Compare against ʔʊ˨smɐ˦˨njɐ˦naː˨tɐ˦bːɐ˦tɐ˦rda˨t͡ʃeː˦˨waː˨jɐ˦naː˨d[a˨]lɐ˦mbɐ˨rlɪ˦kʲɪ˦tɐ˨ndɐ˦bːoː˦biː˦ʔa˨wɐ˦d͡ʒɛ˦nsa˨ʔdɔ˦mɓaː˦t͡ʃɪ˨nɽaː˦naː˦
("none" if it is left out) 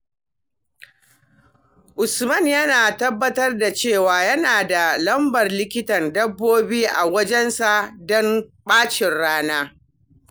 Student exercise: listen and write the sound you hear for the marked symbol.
a˨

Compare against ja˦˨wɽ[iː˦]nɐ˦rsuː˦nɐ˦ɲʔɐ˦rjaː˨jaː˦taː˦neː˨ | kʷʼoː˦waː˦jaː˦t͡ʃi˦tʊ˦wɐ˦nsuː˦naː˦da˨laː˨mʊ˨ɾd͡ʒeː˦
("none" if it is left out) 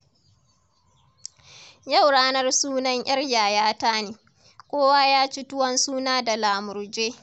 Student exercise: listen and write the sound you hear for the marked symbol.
aː˦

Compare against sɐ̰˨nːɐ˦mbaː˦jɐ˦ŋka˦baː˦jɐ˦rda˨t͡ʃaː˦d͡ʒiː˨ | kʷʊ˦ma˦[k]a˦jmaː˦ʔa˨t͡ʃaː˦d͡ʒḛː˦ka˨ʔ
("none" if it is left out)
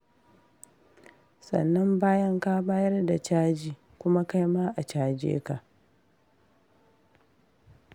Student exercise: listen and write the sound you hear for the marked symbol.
k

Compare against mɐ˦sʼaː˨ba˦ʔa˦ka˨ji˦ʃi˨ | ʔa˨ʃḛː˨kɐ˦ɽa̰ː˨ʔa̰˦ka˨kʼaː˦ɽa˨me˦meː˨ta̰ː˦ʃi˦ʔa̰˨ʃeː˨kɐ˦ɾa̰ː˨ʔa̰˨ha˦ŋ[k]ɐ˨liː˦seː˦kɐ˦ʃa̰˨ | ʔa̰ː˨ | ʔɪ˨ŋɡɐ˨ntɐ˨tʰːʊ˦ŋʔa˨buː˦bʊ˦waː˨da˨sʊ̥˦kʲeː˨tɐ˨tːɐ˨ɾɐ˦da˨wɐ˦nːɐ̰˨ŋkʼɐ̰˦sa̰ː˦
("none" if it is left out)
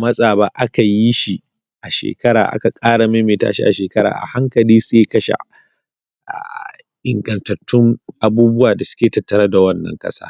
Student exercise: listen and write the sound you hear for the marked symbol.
k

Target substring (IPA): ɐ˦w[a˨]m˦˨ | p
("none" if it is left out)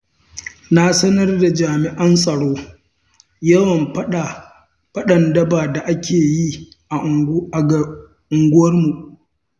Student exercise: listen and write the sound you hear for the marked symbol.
ɐ˨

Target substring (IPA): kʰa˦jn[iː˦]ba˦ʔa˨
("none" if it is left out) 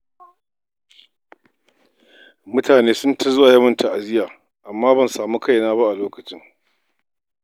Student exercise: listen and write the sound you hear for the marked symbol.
aː˦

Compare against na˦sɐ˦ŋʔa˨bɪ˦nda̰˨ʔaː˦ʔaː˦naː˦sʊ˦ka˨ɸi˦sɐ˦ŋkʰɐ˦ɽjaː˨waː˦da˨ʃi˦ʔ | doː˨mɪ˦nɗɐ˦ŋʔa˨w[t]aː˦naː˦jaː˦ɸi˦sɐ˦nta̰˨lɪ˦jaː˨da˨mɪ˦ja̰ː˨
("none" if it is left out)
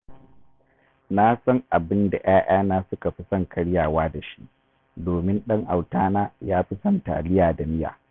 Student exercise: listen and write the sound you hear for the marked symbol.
t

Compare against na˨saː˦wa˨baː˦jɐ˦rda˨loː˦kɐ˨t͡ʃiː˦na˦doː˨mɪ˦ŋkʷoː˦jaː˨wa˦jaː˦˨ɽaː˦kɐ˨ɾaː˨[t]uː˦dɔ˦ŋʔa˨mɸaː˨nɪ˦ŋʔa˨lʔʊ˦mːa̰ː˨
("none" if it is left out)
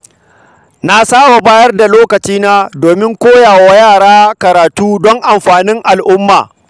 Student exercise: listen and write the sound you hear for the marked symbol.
t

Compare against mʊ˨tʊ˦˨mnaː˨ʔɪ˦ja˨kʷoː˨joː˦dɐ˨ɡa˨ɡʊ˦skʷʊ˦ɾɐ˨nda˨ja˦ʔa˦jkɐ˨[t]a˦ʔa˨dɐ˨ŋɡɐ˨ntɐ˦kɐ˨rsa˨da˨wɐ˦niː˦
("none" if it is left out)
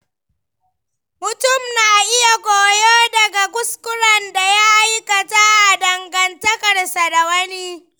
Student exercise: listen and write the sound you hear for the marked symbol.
t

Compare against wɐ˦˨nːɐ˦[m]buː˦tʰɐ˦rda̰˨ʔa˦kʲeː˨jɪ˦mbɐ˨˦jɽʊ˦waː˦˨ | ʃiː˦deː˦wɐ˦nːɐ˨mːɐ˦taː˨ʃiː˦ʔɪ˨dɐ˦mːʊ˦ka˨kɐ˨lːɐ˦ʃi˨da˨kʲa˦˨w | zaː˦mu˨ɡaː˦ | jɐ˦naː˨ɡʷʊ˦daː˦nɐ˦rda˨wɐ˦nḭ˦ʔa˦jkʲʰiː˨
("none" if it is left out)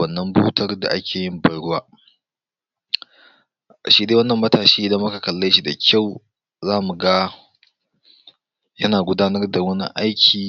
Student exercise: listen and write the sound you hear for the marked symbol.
m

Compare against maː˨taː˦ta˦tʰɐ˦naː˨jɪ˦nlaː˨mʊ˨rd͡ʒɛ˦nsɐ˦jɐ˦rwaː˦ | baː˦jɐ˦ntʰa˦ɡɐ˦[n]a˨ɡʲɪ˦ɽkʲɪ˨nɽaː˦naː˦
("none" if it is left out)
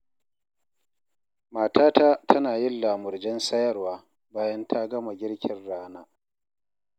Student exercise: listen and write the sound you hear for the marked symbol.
m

